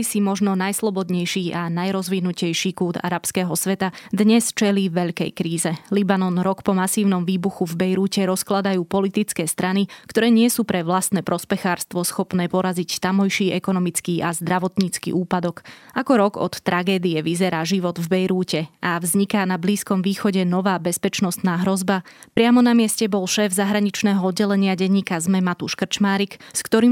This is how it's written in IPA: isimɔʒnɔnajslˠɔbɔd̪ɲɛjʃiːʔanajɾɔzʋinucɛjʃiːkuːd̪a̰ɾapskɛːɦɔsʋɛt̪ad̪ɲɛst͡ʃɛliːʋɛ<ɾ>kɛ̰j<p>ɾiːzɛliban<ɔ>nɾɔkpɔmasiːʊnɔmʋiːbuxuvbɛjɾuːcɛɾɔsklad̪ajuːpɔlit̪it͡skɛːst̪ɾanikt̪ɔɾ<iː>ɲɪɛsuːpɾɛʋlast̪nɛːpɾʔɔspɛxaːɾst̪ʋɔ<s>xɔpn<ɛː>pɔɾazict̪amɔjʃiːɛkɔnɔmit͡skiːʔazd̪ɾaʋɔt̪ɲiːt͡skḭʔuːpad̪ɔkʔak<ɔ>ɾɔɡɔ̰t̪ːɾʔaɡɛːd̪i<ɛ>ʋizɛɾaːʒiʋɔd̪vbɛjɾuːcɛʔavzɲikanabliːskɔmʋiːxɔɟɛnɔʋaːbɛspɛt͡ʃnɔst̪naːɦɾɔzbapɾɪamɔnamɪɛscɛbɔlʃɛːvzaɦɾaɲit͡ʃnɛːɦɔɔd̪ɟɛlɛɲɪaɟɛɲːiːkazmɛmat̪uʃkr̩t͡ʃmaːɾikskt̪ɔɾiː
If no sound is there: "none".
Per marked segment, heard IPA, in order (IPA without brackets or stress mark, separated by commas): ʎ, k, ɔ, ɛː, s, ɛː, ɔ, ɛ